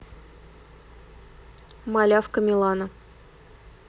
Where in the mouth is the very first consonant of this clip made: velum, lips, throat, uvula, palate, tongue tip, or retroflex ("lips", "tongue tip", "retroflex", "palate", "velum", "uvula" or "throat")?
lips